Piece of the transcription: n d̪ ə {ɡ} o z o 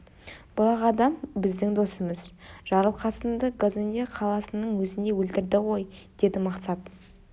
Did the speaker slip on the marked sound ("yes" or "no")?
no